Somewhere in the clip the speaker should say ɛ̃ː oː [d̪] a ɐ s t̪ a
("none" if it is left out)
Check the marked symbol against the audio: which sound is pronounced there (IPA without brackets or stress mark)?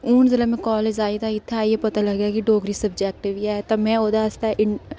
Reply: d̪